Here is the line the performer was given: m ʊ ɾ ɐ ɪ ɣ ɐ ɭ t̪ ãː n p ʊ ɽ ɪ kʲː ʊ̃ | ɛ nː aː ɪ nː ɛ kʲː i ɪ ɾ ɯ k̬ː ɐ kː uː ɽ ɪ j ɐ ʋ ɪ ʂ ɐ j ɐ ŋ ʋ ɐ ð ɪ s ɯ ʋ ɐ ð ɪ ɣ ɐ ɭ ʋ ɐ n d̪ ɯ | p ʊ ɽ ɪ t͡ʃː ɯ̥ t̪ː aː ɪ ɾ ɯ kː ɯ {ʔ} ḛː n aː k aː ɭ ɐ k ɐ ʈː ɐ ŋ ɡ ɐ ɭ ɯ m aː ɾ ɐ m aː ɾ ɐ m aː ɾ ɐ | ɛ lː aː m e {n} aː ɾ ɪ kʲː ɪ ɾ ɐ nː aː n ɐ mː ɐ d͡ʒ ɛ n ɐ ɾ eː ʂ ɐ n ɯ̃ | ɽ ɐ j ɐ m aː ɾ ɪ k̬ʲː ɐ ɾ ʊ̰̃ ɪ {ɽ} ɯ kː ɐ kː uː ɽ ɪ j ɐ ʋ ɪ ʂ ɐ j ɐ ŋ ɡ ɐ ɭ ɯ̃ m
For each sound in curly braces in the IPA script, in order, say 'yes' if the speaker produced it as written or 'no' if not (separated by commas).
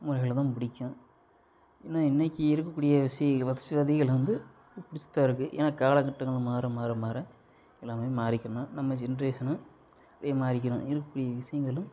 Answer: yes, no, no